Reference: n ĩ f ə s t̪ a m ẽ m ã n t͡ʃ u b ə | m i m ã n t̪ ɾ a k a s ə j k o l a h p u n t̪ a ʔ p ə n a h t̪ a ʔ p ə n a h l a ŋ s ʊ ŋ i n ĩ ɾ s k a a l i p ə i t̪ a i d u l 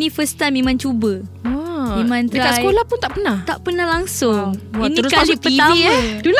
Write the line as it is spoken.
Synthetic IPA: n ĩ f ə s t̪ a m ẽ m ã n t͡ʃ u b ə | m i m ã n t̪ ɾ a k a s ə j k o l a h p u n t̪ a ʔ p ə n a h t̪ a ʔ p ə n a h l a ŋ s ʊ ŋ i n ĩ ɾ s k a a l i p ə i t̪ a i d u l